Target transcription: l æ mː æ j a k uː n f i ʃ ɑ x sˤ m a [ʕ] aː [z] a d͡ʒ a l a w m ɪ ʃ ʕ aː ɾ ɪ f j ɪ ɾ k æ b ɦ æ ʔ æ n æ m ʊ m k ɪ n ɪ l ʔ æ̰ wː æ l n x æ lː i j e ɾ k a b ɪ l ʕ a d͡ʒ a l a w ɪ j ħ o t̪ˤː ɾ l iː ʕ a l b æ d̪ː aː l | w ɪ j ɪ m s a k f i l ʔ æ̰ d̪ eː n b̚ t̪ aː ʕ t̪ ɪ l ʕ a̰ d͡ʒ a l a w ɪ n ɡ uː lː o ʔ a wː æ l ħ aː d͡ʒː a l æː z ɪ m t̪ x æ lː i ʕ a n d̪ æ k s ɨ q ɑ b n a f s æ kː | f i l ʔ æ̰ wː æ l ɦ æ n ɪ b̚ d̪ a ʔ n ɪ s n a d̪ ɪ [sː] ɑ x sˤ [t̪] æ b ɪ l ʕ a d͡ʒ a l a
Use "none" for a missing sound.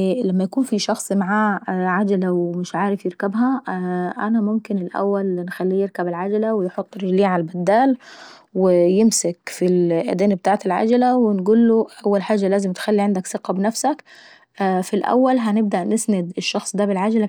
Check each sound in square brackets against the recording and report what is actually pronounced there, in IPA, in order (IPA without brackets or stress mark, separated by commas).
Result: ʕ, ʕ, ʃː, d̪